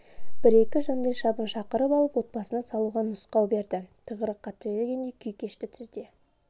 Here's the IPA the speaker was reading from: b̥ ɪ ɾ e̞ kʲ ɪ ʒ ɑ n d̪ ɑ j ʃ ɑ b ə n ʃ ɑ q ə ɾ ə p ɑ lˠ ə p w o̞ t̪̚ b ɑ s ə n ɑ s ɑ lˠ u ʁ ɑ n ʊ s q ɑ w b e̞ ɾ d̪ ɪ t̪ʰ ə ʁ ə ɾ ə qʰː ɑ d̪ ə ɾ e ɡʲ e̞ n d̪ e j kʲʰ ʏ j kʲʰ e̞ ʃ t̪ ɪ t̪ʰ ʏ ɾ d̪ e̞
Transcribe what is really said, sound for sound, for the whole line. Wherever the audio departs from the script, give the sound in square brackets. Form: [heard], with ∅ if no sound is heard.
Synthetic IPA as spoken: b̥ ɪ ɾ e̞ kʲ ɪ ʒ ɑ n d̪ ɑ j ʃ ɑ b ə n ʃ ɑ q ə ɾ ə p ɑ lˠ ə p w o̞ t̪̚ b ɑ s ə n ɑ s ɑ lˠ u ʁ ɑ n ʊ s q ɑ w b e̞ ɾ d̪ ɪ t̪ʰ ə ʁ ə ɾ ə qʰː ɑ [t̪] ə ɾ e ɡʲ e̞ n d̪ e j kʲʰ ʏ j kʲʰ e̞ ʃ t̪ ɪ t̪ʰ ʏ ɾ d̪ e̞